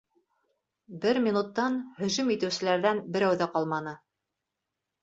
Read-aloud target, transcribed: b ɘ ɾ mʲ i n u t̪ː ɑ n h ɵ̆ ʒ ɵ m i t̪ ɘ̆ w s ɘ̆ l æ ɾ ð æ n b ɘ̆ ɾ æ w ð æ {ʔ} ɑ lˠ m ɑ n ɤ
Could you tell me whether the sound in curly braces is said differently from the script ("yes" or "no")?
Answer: yes